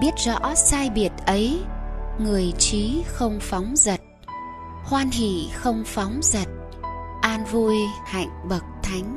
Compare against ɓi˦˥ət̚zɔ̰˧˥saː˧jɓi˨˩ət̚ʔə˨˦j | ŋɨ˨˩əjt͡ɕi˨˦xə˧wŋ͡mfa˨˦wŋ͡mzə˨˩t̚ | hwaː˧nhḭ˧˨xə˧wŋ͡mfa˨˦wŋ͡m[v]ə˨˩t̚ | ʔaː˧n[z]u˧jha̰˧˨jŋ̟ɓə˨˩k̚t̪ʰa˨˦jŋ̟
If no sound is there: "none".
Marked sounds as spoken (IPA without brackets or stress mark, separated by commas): z, v